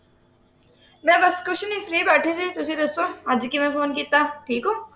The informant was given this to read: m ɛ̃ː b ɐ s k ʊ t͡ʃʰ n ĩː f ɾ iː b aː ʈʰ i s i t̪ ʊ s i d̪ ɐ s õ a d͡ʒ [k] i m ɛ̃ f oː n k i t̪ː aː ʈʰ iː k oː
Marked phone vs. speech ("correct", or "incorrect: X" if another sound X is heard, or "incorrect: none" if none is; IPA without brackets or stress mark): correct